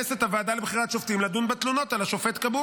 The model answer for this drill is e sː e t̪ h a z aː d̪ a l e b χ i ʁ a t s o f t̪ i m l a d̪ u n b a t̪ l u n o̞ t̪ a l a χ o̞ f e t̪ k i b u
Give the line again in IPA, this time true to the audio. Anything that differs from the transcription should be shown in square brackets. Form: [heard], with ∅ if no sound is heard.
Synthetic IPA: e [s] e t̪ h a [v] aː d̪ a l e b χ i ʁ a t [ʃ] o f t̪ i m l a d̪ u n b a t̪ l u n o̞ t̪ a l a [ʃ] o̞ f e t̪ k [a] b u